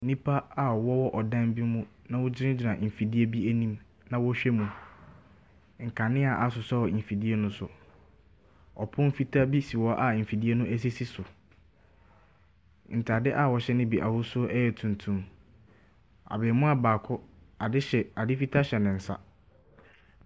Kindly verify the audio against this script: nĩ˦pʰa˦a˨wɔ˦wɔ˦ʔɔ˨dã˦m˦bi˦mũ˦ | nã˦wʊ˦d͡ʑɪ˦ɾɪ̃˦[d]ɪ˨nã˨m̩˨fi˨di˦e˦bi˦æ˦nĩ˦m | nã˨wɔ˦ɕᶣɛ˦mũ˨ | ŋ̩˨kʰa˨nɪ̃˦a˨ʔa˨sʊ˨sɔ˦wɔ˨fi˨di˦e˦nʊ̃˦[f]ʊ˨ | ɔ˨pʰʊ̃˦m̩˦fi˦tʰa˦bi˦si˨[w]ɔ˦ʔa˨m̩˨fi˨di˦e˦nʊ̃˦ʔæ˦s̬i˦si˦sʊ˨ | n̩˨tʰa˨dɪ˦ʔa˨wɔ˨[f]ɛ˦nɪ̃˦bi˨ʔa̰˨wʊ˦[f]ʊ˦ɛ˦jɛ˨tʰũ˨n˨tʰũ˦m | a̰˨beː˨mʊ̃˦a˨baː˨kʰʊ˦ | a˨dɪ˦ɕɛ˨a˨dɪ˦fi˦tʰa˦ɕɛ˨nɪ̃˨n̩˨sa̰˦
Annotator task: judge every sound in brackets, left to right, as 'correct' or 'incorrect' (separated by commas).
incorrect, incorrect, correct, incorrect, incorrect